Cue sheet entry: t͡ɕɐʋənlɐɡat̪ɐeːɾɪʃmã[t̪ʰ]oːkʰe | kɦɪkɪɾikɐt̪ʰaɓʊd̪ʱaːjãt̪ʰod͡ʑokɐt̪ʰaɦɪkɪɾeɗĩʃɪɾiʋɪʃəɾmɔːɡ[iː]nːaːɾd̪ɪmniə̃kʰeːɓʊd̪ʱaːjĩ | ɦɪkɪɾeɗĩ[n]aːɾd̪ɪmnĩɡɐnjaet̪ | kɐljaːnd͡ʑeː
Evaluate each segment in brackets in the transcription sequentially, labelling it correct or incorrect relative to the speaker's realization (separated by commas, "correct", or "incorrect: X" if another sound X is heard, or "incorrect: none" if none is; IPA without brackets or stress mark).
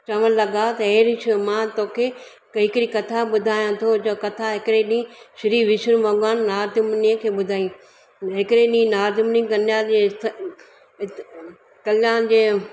incorrect: t̪, incorrect: aː, correct